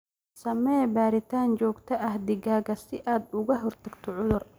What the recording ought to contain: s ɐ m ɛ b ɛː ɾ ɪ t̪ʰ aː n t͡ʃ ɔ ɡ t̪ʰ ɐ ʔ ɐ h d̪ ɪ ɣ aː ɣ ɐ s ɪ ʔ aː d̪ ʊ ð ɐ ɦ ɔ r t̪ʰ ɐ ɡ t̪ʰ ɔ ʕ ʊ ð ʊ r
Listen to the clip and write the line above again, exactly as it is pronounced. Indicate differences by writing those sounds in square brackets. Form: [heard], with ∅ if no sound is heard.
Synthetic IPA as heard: s ɐ m ɛ b [aː] ɾ ɪ t̪ʰ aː n t͡ʃ [ɔː] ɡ t̪ʰ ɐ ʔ ɐ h d̪ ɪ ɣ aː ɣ ɐ s ɪ ʔ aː d̪ ʊ [ɣ] ɐ ɦ ɔ r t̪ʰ ɐ ɡ t̪ʰ ɔ ʕ ʊ ð ʊ r

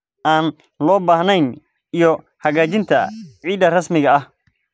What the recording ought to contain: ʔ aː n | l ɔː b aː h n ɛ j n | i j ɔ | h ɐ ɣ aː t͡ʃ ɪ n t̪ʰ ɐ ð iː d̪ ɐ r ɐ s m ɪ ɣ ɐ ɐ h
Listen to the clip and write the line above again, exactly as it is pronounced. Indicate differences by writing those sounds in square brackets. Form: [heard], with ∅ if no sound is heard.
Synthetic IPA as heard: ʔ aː n | l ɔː b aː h n ɛ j n | i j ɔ | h ɐ ɣ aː t͡ʃ ɪ n t̪ʰ ɐ [ʕ] iː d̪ ɐ r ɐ s m ɪ ɣ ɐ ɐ h

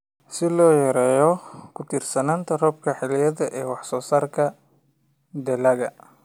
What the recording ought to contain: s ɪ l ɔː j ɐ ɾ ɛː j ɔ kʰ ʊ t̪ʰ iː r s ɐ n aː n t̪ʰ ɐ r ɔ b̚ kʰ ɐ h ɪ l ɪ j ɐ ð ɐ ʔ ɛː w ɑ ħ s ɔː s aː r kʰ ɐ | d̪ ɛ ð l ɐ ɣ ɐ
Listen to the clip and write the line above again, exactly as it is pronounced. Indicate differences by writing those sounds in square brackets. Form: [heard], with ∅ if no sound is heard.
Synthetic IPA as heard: s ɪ l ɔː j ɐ ɾ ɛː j ɔ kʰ ʊ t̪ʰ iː r s ɐ n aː n t̪ʰ ɐ r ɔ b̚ kʰ ɐ [ħ] ɪ l ɪ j ɐ ð ɐ ʔ ɛː w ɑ ħ s ɔː s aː r kʰ ɐ | d̪ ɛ [∅] l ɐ ɣ ɐ

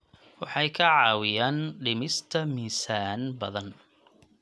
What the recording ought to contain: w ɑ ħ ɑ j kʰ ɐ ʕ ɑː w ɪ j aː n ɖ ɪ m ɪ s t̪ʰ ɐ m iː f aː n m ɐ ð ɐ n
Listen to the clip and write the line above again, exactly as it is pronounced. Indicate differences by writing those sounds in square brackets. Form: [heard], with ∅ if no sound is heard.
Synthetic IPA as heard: w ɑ ħ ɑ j kʰ ɐ ʕ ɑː w ɪ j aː n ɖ ɪ m ɪ s t̪ʰ ɐ m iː [s] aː n [b] ɐ ð ɐ n

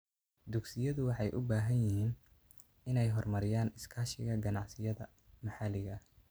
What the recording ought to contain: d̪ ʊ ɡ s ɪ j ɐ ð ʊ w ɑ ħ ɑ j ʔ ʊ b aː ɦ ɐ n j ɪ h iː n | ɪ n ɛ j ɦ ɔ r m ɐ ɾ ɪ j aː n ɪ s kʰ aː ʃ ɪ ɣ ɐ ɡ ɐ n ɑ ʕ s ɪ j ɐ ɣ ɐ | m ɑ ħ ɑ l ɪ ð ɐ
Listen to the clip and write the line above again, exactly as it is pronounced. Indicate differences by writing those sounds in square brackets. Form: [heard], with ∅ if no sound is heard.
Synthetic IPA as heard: d̪ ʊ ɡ s ɪ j ɐ ð ʊ w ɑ ħ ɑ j ʔ ʊ b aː ɦ ɐ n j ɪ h iː n | ɪ n ɛ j ɦ ɔ r m ɐ ɾ ɪ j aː n ɪ s kʰ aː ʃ ɪ ɣ ɐ ɡ ɐ n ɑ ʕ s ɪ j ɐ [ð] ɐ | m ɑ ħ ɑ l ɪ [ɣ] ɐ

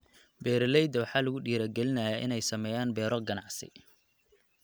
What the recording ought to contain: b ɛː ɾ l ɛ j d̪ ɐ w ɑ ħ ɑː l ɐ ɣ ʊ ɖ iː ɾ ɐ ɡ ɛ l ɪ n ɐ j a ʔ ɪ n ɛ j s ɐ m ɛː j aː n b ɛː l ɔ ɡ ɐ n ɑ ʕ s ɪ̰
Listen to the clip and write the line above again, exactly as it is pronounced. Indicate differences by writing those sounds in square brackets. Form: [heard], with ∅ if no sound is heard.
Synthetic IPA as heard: b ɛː ɾ l ɛ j d̪ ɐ w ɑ ħ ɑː l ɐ ɣ ʊ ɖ iː ɾ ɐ ɡ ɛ l ɪ n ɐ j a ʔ ɪ n ɛ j s ɐ m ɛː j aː n b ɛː [ɾ] ɔ ɡ ɐ n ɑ ʕ s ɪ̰

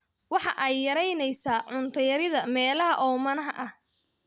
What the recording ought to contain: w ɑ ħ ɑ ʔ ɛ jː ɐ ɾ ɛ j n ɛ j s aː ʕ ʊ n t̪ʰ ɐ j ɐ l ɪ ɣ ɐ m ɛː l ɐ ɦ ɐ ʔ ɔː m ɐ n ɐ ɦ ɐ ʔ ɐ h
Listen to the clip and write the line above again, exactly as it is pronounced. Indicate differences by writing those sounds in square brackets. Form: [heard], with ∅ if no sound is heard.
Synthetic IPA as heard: w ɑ ħ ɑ ʔ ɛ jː ɐ ɾ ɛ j n ɛ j s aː ʕ ʊ n t̪ʰ ɐ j ɐ [ɾ] ɪ [ð] ɐ m ɛː l ɐ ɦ ɐ ʔ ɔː m ɐ n ɐ ɦ ɐ ʔ ɐ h

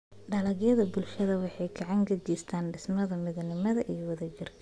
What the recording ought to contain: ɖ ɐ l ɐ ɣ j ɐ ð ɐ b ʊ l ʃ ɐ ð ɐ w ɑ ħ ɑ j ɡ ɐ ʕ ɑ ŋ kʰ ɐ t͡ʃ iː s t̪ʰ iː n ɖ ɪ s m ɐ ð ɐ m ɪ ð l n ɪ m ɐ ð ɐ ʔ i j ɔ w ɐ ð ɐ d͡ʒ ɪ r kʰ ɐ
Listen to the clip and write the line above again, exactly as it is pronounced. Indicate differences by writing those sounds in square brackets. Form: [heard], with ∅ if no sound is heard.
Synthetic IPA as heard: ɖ ɐ l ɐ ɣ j ɐ ð ɐ b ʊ l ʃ ɐ ð ɐ w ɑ ħ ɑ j ɡ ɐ ʕ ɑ ŋ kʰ ɐ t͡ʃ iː s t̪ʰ [aː] n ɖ ɪ s m ɐ ð ɐ m ɪ ð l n ɪ m ɐ ð ɐ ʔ i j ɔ w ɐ ð ɐ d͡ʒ ɪ r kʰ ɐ

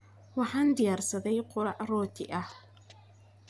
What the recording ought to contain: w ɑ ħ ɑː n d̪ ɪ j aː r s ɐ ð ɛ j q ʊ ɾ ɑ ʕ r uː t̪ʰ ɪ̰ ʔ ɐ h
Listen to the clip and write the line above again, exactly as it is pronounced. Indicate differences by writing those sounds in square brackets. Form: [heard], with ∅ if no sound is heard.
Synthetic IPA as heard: w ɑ ħ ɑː n d̪ ɪ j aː r s ɐ ð ɛ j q ʊ ɾ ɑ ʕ r [ɔː] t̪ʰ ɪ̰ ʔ ɐ h

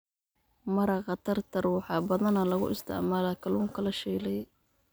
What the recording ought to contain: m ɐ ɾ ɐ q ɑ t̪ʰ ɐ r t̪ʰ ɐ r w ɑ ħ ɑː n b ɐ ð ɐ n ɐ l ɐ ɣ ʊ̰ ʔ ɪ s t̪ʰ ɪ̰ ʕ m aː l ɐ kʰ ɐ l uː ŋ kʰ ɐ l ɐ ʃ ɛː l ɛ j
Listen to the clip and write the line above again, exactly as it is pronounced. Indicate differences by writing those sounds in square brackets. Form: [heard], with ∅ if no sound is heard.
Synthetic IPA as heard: m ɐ ɾ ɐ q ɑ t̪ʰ ɐ r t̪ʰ ɐ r w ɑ ħ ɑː [∅] b ɐ ð ɐ n ɐ l ɐ ɣ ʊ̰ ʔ ɪ s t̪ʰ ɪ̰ ʕ m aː l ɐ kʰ ɐ l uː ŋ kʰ ɐ l ɐ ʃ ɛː l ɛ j

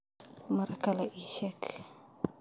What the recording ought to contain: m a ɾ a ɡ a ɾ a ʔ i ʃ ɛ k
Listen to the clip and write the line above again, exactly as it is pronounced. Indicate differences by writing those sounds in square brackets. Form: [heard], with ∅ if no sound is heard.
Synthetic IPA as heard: m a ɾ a [k] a [l] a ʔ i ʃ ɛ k

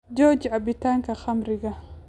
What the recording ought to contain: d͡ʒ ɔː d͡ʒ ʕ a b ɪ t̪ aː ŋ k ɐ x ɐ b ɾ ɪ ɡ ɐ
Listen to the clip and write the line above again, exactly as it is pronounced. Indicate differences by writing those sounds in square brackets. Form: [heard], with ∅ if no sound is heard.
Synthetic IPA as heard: d͡ʒ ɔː d͡ʒ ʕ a b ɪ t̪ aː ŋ k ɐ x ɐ [m] ɾ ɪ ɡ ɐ

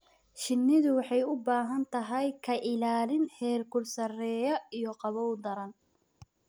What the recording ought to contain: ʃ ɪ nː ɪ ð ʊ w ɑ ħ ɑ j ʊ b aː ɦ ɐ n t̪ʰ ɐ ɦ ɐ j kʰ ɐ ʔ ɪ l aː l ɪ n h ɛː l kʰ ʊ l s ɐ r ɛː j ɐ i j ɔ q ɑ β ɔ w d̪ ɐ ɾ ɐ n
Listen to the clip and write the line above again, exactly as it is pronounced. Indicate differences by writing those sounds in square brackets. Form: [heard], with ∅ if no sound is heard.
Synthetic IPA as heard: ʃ ɪ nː ɪ ð ʊ w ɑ ħ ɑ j ʊ b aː ɦ ɐ n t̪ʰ ɐ ɦ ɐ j kʰ ɐ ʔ ɪ l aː l ɪ n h ɛː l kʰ ʊ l s ɐ r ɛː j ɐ i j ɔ q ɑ β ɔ w d̪ ɐ ɾ ɐ n

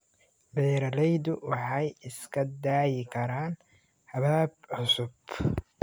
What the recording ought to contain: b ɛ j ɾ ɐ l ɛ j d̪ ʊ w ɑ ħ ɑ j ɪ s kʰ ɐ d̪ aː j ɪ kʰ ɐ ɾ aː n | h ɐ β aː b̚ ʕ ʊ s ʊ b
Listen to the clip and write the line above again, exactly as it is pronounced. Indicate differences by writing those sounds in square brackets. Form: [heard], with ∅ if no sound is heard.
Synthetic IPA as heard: b ɛ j ɾ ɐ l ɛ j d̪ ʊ w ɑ ħ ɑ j ɪ s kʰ ɐ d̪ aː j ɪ kʰ ɐ ɾ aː n | h ɐ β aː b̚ ʕ ʊ s ʊ b

